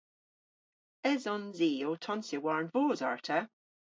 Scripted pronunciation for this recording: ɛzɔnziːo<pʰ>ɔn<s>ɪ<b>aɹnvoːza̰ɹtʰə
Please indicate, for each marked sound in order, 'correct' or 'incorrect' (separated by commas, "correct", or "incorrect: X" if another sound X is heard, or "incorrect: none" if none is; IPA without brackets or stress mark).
incorrect: tʰ, correct, incorrect: w